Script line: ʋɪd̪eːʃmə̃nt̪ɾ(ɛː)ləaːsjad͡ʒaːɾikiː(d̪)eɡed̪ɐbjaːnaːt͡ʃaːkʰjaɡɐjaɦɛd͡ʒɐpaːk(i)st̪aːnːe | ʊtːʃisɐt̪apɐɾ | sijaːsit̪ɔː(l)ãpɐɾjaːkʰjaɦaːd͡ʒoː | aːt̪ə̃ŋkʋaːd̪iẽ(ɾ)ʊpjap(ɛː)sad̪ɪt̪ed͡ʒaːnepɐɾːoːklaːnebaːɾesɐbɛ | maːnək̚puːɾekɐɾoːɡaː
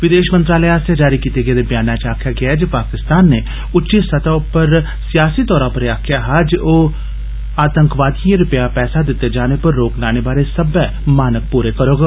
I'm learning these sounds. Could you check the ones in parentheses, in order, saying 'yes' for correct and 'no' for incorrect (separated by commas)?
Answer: no, no, no, no, yes, yes